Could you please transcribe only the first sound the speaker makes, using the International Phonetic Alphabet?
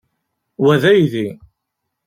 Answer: w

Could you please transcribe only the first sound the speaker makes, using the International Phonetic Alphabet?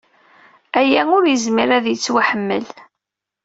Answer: æ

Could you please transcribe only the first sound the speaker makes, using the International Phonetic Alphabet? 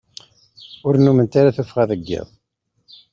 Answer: ʊ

